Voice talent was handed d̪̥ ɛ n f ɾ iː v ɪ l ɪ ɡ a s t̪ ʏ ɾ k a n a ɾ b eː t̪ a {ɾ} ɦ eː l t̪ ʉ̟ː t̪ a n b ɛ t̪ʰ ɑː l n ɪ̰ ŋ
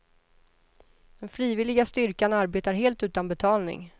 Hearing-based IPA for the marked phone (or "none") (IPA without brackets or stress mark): ɾ